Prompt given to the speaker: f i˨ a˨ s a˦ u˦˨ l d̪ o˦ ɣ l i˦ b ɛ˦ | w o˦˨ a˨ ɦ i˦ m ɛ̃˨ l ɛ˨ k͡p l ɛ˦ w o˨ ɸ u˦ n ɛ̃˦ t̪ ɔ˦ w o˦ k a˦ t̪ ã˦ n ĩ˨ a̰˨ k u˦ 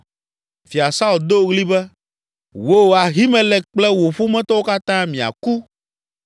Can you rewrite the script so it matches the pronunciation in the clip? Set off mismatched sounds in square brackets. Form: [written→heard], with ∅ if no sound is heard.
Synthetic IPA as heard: f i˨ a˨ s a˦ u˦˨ l d̪ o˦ ɣ l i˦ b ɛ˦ | w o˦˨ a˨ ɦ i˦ m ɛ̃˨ l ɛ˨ k͡p l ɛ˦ w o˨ ɸ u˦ [n→m] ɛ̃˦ t̪ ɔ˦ w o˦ k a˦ t̪ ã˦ [n→m] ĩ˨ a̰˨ k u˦